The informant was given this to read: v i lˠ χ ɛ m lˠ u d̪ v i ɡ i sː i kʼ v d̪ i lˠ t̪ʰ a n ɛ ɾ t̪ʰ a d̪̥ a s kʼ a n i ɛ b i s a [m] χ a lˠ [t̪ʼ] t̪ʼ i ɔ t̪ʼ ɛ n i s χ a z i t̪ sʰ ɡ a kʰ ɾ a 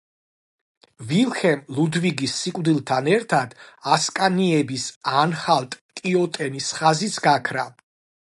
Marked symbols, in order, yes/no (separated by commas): no, yes